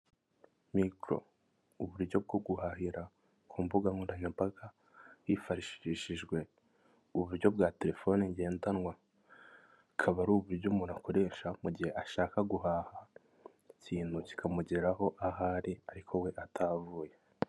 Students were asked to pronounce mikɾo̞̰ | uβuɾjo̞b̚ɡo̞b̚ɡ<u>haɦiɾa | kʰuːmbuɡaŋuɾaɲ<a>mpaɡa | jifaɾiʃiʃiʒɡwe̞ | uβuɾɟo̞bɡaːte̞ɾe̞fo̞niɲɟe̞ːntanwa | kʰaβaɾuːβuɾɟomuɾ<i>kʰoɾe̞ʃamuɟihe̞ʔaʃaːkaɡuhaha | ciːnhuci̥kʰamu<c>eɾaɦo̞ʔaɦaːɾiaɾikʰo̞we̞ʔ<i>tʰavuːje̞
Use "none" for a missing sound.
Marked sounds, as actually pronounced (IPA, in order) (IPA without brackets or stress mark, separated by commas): u, a, a, ɟ, a